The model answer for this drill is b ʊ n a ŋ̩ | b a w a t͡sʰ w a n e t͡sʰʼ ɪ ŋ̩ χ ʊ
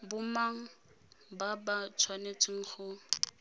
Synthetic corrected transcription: b ʊ m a ŋ̩ | b a b a t͡sʰ w a n e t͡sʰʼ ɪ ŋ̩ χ ʊ